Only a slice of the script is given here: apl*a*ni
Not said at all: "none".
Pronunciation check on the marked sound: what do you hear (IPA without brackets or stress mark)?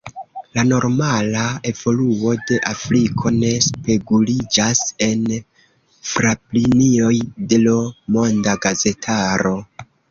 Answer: i